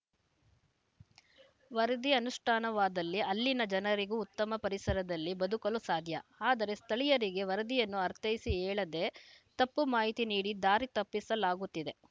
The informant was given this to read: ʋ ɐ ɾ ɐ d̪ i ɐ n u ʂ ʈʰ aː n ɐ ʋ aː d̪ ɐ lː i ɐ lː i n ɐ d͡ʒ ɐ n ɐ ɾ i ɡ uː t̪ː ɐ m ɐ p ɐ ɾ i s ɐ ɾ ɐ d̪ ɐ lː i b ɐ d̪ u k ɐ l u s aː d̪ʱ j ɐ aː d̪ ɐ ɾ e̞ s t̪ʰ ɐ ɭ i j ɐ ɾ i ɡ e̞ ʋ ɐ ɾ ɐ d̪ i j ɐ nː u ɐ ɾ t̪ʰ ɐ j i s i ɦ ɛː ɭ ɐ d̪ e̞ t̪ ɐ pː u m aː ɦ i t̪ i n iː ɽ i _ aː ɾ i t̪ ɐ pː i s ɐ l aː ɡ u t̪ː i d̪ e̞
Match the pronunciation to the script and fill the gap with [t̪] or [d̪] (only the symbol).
d̪